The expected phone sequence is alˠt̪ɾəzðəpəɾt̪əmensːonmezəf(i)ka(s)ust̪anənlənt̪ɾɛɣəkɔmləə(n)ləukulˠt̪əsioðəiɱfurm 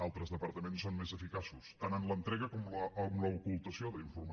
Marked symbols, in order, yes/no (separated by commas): yes, yes, no